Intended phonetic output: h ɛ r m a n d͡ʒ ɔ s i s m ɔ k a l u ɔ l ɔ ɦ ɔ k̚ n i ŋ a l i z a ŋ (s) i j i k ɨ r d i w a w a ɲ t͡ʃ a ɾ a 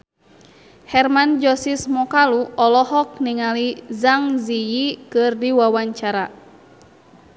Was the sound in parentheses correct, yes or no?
no